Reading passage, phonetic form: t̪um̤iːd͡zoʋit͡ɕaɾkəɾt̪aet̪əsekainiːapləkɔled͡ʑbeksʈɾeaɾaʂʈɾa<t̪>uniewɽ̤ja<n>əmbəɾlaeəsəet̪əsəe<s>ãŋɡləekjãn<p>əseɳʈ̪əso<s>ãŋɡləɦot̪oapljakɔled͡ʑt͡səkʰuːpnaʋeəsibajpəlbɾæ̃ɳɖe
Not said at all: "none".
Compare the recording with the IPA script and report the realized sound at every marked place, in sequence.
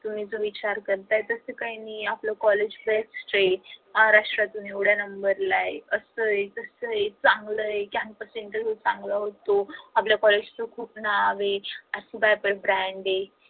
t̪, n, t͡s, p, t͡s

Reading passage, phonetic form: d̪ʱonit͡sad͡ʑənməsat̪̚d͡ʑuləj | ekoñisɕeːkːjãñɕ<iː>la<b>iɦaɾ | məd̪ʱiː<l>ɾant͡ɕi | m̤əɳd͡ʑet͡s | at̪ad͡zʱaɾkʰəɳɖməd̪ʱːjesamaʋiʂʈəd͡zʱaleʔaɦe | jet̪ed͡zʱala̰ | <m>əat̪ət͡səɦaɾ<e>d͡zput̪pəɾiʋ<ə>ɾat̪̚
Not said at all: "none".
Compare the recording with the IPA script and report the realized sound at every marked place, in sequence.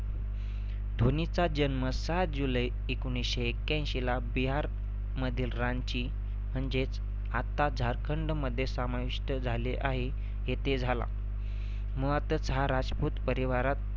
i, b, l, m, a, a

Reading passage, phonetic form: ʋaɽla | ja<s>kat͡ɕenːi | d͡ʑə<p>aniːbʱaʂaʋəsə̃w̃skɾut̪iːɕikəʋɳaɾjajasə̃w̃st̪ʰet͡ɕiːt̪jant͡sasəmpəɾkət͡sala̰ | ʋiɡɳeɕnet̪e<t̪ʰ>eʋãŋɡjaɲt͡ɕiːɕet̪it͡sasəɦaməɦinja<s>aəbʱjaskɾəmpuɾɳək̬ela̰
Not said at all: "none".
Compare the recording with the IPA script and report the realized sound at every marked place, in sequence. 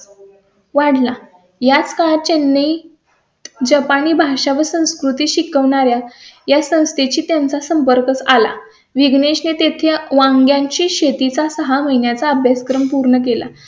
t͡s, p, t̪ʰ, t͡s

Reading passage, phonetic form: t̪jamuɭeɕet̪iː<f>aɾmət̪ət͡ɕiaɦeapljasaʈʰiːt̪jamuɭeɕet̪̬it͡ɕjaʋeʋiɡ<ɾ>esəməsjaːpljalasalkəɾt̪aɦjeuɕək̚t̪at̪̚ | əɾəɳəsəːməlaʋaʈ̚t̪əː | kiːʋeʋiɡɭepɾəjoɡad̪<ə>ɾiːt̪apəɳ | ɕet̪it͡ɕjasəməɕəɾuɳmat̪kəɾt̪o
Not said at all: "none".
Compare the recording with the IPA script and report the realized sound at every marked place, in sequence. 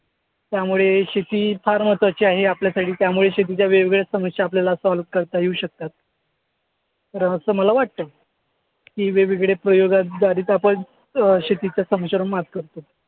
f, ɭ, a

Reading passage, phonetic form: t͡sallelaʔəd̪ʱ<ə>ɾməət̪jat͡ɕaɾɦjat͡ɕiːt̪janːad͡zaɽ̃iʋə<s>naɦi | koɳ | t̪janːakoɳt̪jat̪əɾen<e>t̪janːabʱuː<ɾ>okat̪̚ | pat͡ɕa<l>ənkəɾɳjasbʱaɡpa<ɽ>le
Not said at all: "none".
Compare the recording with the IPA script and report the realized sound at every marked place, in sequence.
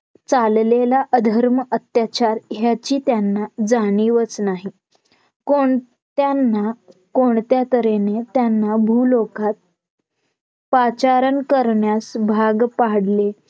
ə, t͡s, e, l, ɾ, ɽ

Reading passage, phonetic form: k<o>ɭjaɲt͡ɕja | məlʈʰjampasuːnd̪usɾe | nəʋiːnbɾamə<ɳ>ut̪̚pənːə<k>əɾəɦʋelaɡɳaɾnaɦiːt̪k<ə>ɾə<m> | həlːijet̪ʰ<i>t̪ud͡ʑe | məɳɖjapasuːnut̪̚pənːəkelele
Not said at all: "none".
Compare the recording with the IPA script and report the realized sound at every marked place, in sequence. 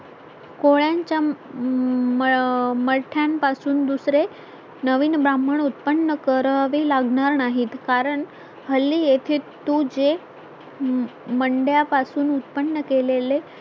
o, ɳ, k, a, ɳ, e

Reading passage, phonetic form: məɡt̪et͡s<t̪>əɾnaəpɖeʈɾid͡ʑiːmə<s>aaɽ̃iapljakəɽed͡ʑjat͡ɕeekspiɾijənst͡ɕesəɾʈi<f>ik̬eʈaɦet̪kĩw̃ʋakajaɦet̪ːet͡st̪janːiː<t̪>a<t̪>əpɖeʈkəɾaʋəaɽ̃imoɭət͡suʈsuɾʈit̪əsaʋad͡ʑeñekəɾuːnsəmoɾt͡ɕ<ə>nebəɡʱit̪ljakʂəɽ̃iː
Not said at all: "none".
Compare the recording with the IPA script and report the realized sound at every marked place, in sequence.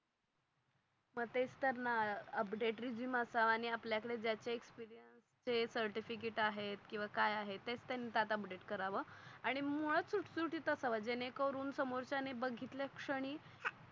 t̪, s, f, t̪, t̪, a

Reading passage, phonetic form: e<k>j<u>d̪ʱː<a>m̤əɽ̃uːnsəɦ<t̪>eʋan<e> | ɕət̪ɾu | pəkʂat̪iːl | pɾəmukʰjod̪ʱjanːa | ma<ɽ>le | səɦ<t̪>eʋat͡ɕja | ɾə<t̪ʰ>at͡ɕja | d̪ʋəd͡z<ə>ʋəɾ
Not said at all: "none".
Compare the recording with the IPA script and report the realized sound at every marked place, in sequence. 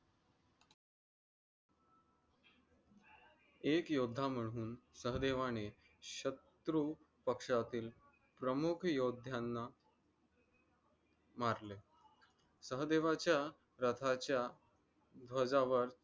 k, o, a, d̪, e, ɾ, d̪, t̪ʰ, a

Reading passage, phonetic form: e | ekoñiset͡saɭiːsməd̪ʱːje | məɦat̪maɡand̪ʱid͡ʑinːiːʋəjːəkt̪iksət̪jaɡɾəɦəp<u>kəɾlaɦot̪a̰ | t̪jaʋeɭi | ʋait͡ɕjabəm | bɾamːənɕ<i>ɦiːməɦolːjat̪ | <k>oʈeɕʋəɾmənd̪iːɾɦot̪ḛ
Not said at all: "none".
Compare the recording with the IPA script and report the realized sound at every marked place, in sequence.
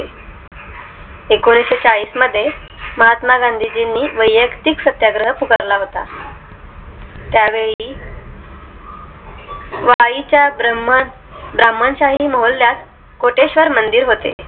u, a, k

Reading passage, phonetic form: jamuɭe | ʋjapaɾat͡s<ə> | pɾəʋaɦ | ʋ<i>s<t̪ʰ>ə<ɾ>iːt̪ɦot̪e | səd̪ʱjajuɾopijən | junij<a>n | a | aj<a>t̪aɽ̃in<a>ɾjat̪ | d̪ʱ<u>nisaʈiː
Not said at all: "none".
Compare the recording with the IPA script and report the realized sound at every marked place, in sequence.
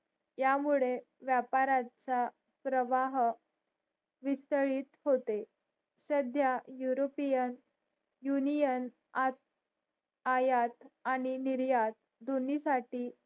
a, i, t̪, ɭ, ə, a, i, o

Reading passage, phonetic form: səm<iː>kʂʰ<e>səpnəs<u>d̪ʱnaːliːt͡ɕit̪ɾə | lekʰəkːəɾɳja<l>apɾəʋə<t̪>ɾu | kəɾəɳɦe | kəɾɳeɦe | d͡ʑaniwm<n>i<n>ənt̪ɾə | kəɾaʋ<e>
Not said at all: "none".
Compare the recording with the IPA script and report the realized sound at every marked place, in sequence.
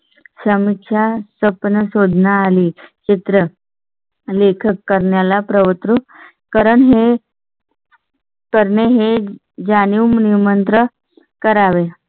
i, a, o, l, t̪, n, m, e

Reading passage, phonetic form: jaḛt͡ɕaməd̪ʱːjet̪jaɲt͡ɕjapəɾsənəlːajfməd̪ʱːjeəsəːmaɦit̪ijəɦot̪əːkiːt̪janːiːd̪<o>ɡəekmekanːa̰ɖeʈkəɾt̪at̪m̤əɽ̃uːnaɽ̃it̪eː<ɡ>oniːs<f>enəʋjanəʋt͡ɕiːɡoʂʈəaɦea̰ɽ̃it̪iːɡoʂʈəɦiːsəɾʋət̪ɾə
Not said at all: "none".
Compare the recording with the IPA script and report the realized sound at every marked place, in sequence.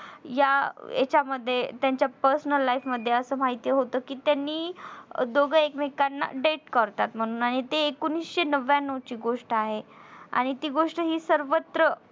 o, k, ɕ

